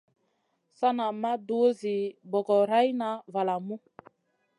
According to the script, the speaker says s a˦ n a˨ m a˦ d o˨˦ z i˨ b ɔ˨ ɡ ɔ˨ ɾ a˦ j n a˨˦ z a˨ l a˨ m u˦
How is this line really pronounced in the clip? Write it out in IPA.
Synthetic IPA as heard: s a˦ n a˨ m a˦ d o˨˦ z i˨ b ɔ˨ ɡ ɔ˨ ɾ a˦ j n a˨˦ v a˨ l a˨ m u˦